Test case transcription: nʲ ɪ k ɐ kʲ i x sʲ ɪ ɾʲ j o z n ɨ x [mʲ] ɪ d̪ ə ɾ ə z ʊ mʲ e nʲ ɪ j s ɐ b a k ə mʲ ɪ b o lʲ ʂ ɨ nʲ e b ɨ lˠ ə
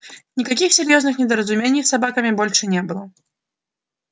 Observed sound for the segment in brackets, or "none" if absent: nʲ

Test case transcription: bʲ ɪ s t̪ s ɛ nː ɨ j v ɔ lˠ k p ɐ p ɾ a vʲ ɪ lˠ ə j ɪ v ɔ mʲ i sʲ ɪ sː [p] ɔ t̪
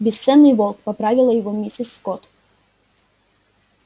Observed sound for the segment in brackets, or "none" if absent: k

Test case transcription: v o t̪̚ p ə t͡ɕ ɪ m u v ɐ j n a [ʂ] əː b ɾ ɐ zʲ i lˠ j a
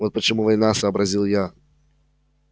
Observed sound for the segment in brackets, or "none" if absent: s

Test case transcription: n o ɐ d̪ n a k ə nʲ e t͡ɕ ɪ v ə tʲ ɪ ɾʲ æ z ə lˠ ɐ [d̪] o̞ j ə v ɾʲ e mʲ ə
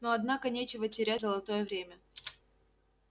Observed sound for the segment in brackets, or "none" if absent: t̪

